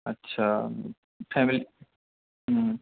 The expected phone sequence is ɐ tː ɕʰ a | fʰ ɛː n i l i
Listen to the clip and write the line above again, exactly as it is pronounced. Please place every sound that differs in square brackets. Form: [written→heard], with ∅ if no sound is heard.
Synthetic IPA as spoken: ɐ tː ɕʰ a | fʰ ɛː [n→m] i l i